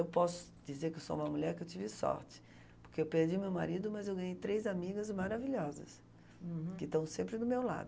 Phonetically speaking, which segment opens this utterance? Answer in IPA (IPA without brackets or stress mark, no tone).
e